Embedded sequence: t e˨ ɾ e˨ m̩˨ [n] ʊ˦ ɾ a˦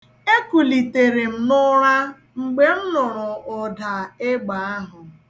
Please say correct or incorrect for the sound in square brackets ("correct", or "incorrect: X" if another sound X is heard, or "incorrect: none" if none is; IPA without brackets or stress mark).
correct